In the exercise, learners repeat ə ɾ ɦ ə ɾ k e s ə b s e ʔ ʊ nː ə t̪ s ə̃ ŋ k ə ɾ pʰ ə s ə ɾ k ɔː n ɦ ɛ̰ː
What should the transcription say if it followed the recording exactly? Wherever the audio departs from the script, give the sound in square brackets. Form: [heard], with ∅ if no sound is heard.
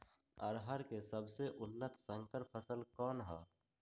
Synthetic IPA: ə ɾ ɦ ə ɾ k e s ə b s e ʔ ʊ nː ə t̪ s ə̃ ŋ k ə ɾ pʰ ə s ə [l] k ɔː n ɦ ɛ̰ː